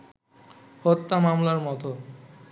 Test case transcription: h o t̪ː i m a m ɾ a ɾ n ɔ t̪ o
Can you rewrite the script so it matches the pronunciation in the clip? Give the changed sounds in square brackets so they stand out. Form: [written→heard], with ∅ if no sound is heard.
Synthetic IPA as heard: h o t̪ː [i→a] m a m [ɾ→l] a ɾ [n→m] ɔ t̪ o